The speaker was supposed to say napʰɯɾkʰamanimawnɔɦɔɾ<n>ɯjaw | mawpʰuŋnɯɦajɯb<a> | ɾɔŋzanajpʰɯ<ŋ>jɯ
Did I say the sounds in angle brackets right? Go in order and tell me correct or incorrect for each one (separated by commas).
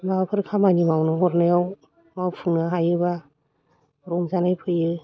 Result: correct, correct, incorrect